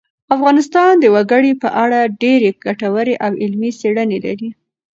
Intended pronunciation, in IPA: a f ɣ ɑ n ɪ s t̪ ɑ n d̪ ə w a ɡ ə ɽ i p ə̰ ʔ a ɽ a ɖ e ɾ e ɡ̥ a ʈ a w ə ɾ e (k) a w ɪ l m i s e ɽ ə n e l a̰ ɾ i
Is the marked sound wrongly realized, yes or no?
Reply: yes